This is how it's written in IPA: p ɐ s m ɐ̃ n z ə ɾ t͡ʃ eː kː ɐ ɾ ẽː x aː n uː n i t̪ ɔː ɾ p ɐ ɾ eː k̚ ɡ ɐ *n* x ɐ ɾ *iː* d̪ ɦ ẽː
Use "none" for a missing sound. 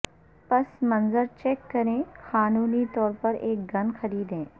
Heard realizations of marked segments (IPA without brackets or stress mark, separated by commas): n, iː